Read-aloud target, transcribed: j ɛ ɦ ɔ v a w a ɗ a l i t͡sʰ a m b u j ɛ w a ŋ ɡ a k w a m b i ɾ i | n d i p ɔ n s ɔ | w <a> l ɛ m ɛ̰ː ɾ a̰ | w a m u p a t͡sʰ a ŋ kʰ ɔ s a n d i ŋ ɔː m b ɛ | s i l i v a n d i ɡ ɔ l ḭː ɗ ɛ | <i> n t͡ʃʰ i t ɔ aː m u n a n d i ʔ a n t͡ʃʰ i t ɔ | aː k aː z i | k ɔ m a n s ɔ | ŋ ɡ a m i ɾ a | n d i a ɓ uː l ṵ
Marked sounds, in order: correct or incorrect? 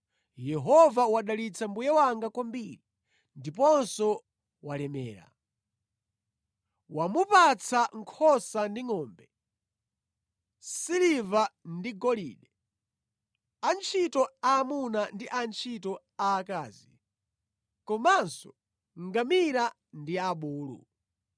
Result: correct, incorrect

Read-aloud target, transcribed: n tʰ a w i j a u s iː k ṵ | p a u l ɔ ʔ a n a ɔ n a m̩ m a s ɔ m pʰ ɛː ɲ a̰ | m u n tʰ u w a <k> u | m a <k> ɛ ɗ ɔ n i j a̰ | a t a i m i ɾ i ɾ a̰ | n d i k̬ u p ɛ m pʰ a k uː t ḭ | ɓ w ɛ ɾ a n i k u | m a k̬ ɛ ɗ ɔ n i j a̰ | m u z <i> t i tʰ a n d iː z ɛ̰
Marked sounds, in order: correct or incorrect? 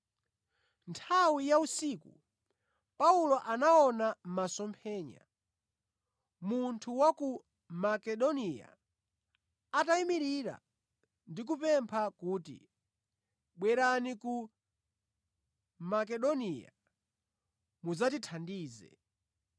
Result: correct, correct, incorrect

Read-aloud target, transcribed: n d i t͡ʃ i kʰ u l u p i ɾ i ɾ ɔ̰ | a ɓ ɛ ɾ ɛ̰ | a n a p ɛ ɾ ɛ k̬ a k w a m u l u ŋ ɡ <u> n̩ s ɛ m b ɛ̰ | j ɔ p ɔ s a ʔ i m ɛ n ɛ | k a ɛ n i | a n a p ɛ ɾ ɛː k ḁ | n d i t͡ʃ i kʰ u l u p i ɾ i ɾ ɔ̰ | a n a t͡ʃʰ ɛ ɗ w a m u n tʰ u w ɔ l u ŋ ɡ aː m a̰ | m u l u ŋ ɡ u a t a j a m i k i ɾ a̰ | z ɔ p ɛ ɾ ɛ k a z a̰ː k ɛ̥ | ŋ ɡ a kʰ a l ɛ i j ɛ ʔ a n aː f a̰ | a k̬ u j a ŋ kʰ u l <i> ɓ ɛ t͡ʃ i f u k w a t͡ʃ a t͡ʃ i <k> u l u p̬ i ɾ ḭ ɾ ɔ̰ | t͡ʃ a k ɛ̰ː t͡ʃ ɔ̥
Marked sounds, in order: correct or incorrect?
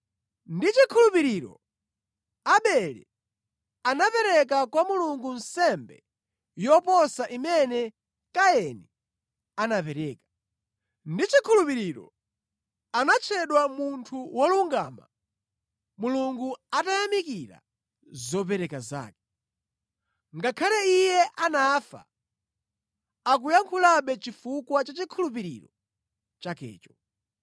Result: correct, incorrect, incorrect

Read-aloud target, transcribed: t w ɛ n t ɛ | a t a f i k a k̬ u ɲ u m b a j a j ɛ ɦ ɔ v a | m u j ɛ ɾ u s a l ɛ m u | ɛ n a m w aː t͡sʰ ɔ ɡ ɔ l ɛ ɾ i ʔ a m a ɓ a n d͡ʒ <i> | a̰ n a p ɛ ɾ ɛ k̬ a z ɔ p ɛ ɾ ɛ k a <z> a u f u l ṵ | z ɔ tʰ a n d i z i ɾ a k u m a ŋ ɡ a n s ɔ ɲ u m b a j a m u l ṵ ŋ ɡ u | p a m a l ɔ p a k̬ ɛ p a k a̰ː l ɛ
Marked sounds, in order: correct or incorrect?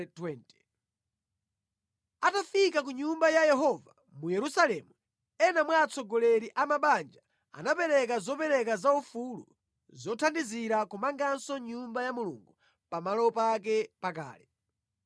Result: incorrect, correct

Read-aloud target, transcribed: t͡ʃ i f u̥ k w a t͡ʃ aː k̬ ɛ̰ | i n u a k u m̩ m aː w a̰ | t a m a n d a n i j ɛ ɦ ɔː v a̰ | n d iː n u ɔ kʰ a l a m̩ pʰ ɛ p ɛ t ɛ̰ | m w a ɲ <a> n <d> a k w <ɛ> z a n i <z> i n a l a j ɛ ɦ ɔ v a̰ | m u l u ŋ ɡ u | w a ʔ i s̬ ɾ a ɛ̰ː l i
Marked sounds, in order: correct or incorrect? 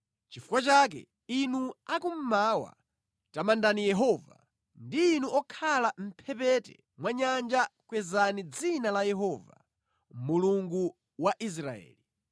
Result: correct, incorrect, correct, incorrect

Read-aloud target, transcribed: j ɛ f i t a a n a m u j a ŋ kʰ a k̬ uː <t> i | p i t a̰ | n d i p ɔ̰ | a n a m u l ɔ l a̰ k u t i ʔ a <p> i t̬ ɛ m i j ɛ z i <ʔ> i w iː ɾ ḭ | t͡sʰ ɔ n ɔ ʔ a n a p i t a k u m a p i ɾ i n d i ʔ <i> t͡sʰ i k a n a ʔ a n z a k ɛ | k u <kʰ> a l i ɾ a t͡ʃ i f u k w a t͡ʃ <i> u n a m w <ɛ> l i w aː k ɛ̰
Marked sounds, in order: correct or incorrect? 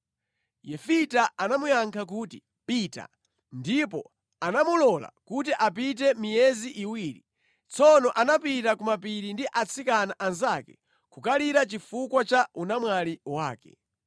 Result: correct, correct, correct, incorrect, incorrect, incorrect, incorrect

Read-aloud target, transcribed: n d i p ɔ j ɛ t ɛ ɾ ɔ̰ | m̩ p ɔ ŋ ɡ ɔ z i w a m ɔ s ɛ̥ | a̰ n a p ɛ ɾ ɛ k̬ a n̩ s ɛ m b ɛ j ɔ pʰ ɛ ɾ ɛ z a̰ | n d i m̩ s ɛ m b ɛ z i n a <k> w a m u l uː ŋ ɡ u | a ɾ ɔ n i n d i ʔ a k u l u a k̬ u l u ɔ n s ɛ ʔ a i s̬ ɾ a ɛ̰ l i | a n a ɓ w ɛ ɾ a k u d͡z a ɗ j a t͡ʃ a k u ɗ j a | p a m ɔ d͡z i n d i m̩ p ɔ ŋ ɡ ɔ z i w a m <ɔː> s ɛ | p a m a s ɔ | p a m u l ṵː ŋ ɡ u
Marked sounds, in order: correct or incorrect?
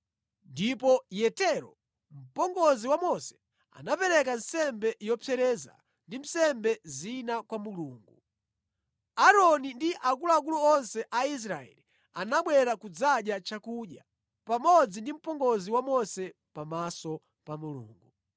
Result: correct, incorrect

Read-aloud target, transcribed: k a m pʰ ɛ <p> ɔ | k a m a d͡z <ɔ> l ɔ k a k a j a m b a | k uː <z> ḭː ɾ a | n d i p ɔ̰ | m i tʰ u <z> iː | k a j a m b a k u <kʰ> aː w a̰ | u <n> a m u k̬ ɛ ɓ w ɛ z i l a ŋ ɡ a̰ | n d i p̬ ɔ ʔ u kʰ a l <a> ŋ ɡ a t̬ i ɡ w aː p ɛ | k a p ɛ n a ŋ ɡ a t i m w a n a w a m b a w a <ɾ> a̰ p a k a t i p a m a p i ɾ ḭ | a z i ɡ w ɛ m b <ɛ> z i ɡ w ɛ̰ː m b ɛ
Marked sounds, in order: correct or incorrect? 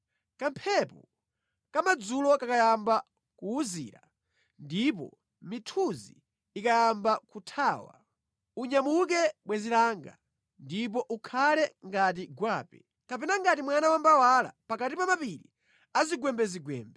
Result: correct, incorrect, correct, correct, incorrect, incorrect, incorrect, incorrect, correct

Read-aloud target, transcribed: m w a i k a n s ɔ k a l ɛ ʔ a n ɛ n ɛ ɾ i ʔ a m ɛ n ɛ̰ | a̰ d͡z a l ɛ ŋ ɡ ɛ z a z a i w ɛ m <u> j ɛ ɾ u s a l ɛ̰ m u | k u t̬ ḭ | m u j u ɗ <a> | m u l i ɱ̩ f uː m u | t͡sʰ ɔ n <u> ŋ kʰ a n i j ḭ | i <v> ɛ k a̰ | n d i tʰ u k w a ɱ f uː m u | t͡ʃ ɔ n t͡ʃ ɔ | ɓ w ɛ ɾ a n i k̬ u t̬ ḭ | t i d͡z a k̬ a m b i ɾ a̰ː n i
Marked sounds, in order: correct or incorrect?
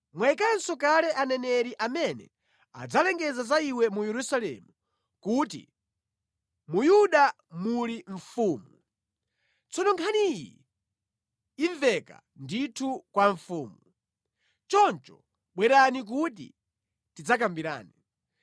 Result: correct, correct, incorrect, correct

